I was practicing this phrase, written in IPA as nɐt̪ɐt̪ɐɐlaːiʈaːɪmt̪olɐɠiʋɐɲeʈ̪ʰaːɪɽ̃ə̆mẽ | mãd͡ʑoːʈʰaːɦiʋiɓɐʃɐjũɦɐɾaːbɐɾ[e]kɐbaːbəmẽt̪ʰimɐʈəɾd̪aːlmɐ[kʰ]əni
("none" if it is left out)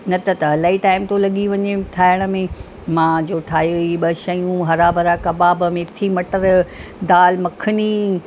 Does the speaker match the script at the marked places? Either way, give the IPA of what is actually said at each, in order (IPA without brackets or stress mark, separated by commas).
a, kʰ